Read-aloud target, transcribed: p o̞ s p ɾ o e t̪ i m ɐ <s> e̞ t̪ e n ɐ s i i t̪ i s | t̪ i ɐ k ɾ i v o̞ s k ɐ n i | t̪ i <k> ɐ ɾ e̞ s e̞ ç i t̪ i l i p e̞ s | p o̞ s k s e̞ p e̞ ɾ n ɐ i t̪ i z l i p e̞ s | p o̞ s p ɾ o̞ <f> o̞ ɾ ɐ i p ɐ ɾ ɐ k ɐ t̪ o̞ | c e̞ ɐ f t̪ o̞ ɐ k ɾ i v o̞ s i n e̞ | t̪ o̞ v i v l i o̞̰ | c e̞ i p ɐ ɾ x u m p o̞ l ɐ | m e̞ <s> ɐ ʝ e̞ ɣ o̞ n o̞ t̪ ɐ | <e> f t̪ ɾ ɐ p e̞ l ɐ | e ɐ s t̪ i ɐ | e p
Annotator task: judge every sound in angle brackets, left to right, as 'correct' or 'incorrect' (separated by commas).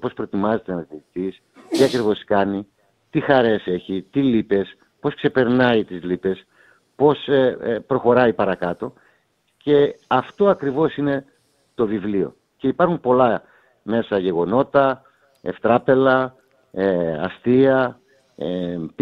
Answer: incorrect, incorrect, incorrect, correct, correct